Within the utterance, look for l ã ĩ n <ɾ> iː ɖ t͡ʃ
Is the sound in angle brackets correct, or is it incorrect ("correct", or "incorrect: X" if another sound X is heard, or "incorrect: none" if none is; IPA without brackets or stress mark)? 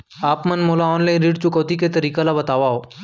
correct